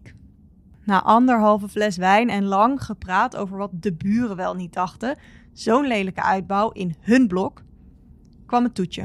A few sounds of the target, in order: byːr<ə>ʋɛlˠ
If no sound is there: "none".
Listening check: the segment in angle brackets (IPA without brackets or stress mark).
ə